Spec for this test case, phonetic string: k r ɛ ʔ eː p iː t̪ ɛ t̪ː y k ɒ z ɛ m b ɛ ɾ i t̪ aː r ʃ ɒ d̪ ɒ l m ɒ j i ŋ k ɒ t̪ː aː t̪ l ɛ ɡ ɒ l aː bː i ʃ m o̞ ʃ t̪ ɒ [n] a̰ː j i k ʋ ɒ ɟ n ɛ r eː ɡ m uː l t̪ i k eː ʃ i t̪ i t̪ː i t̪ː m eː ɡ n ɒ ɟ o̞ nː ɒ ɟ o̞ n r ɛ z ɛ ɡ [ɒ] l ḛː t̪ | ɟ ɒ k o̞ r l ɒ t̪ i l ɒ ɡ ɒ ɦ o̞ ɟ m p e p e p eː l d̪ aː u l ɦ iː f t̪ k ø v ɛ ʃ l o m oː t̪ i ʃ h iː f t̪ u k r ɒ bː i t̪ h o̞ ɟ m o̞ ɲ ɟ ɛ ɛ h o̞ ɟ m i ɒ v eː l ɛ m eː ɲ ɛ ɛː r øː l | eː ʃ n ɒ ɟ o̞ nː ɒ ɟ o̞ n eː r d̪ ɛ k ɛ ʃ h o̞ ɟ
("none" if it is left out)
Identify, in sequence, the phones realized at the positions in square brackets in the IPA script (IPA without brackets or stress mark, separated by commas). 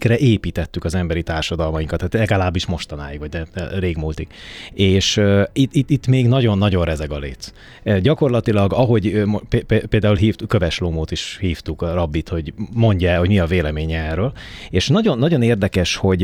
n, ɒ